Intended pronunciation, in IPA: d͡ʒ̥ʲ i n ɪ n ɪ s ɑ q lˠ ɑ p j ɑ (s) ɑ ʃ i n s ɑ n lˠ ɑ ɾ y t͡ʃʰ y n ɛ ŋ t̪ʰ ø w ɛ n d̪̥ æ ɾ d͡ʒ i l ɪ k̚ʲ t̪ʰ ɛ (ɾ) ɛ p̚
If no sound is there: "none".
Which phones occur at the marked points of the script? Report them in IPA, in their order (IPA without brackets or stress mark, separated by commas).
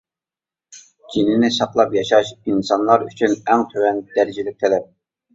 ʃ, l